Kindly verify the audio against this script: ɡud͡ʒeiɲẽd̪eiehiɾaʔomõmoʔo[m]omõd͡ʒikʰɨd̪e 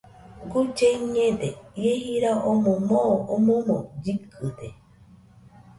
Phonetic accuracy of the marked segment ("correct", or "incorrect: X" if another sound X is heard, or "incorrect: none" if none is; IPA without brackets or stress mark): correct